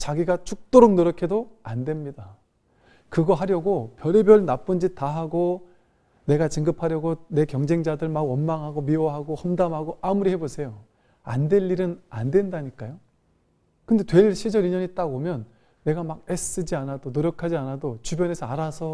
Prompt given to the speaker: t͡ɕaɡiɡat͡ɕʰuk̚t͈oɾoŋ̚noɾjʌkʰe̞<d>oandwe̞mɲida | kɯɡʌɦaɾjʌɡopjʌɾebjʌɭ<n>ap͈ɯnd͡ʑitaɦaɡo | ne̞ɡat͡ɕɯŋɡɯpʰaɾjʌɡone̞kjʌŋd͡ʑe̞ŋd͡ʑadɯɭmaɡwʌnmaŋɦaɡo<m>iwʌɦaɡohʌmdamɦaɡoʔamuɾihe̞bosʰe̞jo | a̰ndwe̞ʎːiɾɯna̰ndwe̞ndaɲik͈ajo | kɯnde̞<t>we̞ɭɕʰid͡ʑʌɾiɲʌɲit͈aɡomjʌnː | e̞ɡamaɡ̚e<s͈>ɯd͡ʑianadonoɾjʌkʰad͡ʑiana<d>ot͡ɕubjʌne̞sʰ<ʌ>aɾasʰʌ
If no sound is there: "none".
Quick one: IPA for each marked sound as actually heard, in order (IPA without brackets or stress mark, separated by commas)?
d, n, m, t, s͈, d, ʌ